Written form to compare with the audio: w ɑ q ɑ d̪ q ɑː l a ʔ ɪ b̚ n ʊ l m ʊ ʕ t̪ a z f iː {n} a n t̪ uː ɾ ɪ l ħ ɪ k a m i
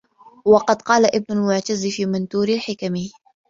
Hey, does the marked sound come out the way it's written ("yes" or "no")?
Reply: no